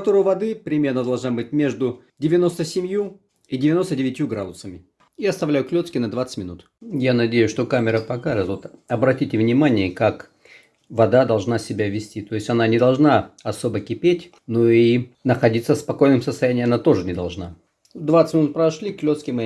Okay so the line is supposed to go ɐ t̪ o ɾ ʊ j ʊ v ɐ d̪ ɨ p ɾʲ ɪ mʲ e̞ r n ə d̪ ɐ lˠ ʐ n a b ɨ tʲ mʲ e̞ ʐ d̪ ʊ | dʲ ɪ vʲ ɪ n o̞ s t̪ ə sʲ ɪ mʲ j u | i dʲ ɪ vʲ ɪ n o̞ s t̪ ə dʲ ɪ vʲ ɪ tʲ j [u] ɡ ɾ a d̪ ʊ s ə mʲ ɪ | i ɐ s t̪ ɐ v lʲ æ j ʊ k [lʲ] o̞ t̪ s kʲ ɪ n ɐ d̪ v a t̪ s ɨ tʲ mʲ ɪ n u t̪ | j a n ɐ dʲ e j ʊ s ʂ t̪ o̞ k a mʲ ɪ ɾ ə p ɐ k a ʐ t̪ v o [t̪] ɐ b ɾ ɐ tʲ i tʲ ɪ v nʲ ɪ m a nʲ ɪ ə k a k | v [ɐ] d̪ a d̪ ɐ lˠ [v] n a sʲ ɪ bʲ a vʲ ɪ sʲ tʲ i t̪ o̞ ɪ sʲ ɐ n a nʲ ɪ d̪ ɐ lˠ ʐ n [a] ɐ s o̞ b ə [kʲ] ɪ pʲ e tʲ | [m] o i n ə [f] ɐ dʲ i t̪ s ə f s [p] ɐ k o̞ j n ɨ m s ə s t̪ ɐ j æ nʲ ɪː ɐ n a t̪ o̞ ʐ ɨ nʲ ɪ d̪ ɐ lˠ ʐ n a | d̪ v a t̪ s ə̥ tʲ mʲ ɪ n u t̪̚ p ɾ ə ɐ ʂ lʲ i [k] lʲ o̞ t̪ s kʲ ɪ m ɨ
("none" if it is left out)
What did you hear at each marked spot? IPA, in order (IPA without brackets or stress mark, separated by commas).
u, lʲ, t̪, ɐ, ʐ, a, kʲ, n, x, p, k